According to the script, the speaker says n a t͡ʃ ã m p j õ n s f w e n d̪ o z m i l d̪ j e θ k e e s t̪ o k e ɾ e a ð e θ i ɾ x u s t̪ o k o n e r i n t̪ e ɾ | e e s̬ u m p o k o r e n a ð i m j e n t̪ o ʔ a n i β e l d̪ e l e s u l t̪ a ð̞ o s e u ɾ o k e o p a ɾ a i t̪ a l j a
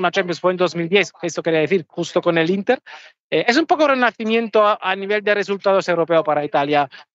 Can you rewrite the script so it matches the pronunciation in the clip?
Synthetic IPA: n a t͡ʃ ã m p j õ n s f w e n d̪ o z m i l d̪ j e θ k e e s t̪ o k e ɾ i a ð e θ i ɾ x u s t̪ o k o n e l i n t̪ e ɾ | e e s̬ u m p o k o r e n a θ i m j e n t̪ o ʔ a n i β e l d̪ e r e s u l t̪ a ð̞ o s e w ɾ o p e o p a ɾ a i t̪ a l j a